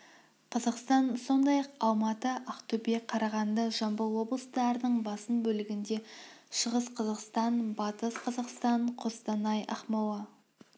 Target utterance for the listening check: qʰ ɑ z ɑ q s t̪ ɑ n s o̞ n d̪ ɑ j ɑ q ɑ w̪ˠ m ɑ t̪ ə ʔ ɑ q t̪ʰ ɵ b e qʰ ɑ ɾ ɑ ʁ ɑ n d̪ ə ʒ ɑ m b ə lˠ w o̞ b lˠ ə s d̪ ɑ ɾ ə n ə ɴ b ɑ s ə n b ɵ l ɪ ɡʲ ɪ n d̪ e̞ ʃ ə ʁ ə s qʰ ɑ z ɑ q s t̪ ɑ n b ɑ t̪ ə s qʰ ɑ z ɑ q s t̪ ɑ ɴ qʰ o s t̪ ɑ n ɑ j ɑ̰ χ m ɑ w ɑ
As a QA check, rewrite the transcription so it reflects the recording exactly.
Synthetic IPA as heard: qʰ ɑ z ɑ q s t̪ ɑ n s o̞ n d̪ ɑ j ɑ q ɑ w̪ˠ m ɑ t̪ ə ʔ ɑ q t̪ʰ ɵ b e qʰ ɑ ɾ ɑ ʁ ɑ n d̪ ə ʒ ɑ m b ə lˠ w o̞ b lˠ ə s t̪ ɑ ɾ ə n ə ɴ b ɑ s ə n b ɵ l ɪ ɡʲ ɪ n d̪ e̞ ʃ ə ʁ ə s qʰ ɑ z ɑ q s t̪ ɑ n b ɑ t̪ ə s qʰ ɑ z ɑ q s t̪ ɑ ɴ qʰ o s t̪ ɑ n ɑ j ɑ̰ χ m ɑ w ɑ